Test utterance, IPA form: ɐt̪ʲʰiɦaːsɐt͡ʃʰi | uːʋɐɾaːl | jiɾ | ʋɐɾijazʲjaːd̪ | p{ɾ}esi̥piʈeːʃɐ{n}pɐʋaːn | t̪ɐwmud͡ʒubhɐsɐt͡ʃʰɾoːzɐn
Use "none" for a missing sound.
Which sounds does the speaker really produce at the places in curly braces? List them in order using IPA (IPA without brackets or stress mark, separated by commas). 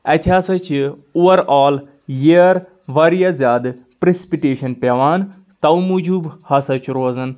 ɾ, n